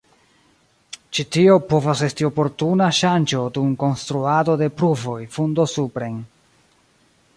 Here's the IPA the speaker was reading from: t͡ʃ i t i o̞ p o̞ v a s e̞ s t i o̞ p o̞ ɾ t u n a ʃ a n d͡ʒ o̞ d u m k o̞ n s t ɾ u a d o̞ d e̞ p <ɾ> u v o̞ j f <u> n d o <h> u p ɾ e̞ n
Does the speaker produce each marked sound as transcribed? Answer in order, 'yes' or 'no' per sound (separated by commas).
yes, yes, no